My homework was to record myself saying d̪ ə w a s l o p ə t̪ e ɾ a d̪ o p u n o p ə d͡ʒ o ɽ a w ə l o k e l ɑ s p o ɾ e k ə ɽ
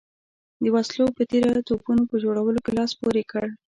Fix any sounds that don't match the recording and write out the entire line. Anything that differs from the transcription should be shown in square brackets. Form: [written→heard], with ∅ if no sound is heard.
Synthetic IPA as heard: d̪ ə w a s l o p ə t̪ e ɾ a [d̪→t̪] o p u n o p ə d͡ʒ o ɽ a w ə l o k e l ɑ s p o ɾ e k ə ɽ